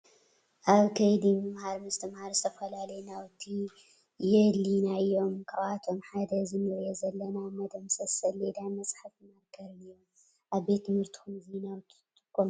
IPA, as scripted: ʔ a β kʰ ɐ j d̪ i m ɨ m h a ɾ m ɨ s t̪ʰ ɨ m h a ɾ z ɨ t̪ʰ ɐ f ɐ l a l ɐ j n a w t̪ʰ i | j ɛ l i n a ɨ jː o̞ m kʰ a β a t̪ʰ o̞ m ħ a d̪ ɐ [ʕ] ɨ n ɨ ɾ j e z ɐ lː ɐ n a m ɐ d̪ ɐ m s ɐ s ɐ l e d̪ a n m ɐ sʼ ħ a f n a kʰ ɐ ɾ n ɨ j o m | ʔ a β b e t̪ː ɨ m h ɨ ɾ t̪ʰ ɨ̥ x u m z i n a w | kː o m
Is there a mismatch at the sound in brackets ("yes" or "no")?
yes